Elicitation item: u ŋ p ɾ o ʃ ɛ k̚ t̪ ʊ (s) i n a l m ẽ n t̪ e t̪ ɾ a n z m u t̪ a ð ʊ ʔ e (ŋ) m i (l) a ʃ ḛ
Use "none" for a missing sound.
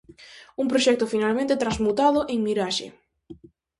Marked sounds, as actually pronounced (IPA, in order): f, ŋ, ɾ

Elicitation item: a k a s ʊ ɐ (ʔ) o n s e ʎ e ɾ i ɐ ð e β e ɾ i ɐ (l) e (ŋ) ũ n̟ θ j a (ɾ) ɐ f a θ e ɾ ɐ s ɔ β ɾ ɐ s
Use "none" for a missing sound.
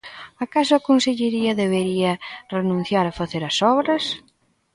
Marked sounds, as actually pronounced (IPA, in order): k, r, n, ɾ

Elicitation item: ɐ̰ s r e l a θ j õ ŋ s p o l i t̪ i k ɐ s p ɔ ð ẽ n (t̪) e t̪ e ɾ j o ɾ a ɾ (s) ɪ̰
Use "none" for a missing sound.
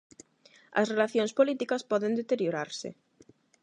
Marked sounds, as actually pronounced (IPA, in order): d̪, s

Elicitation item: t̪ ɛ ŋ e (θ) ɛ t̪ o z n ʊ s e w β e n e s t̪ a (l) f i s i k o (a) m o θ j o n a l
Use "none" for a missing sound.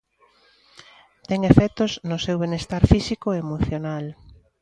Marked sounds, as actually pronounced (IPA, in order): f, ɾ, e

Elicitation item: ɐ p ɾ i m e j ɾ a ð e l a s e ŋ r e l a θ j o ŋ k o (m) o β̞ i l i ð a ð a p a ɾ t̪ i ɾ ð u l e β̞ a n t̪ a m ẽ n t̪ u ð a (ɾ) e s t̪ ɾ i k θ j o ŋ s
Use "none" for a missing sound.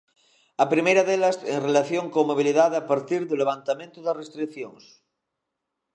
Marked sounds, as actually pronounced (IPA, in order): m, r

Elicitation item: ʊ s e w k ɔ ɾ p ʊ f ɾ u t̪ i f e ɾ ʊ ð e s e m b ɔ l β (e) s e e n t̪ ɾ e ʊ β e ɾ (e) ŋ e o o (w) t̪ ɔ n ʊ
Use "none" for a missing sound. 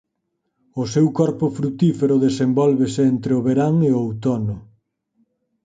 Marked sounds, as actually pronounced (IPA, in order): e, a, w

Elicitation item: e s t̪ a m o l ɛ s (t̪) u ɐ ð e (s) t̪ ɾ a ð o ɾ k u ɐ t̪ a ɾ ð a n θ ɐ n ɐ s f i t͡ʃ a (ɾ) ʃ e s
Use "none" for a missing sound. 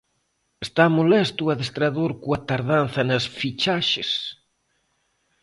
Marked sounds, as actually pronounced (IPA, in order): t̪, s, none

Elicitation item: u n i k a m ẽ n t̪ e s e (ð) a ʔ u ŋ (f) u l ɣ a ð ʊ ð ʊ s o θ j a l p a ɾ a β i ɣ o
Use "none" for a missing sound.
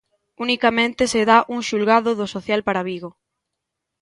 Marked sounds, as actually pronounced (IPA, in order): ð, ʃ

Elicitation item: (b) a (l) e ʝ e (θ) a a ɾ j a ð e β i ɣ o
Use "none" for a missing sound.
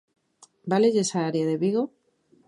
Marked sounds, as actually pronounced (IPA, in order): b, l, s

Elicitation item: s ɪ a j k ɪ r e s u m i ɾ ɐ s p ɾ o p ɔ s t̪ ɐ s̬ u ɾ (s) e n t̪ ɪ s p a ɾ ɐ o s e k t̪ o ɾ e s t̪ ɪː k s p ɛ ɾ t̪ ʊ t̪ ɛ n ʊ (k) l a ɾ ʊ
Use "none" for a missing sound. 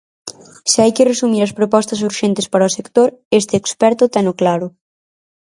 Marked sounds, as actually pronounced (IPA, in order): ʃ, k

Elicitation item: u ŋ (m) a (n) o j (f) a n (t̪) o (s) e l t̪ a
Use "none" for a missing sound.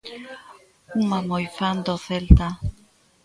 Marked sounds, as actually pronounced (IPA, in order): m, m, f, d̪, θ

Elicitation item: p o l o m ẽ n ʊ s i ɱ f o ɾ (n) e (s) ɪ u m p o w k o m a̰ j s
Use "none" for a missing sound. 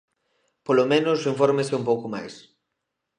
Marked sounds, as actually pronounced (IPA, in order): m, s

